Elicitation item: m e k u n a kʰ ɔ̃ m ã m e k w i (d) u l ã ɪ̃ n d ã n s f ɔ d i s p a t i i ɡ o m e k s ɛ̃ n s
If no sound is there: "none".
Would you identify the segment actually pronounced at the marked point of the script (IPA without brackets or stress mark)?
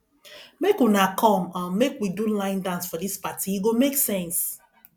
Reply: d